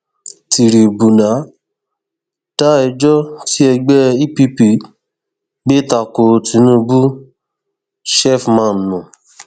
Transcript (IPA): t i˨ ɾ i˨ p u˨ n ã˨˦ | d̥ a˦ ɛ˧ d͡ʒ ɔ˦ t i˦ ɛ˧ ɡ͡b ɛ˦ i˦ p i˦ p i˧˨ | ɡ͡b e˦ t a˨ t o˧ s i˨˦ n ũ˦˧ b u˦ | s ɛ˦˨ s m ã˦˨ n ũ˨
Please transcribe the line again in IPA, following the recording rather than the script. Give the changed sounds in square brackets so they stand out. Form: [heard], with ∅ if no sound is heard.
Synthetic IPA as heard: t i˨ ɾ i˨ [b] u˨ n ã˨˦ | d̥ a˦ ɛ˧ d͡ʒ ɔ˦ t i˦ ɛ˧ ɡ͡b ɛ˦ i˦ p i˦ p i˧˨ | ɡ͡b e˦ t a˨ [k] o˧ [t] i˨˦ n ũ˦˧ b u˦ | [ʃ] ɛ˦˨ [f] m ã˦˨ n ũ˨